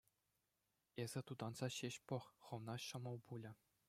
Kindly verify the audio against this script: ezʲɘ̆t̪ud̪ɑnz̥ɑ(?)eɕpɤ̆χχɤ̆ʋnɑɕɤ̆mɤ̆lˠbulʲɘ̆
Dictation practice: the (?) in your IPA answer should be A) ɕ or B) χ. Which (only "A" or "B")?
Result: A